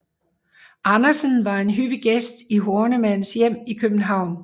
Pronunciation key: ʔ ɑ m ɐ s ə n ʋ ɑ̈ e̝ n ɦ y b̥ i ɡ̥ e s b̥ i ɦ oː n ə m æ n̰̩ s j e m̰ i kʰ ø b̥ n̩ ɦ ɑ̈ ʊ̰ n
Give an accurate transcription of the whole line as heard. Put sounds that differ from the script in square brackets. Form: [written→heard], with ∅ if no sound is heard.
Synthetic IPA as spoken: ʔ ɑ [m→n] ɐ s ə n ʋ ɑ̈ e̝ n ɦ y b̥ i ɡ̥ e s [b̥→d̥] i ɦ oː n ə m æ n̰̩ s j e m̰ i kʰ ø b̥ n̩ ɦ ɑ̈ ʊ̰ n